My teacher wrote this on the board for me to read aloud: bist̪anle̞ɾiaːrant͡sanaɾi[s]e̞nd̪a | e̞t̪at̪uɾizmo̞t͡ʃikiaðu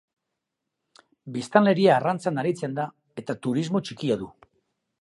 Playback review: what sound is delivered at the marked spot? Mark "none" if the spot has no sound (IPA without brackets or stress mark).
t͡s